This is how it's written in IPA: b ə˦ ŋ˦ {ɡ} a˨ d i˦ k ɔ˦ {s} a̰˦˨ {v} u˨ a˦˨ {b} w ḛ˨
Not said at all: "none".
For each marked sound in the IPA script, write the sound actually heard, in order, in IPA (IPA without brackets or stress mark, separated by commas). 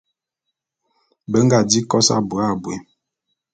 ɡ, s, b, b